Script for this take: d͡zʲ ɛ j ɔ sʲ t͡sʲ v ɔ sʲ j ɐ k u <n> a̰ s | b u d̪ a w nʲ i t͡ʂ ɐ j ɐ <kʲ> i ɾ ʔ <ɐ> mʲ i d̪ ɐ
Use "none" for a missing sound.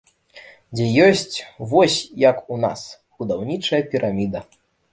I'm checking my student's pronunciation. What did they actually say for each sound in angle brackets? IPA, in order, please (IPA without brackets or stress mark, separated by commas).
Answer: n, pʲ, a